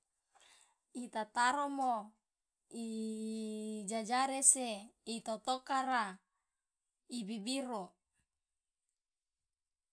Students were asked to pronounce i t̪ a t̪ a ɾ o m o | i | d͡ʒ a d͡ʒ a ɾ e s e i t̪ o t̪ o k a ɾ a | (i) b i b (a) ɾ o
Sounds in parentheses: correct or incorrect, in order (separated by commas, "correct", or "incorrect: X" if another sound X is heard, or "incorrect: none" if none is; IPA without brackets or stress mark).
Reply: correct, incorrect: i